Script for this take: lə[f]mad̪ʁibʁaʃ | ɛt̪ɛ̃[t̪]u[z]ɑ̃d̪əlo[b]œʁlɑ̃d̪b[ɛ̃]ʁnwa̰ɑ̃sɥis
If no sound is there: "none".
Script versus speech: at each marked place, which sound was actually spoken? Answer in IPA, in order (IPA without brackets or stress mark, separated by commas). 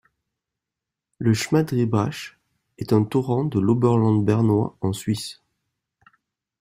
ʃ, t̪, ʁ, b, ɛ